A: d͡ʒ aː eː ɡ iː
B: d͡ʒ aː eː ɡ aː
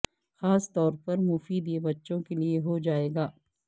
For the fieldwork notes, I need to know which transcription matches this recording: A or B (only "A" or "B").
B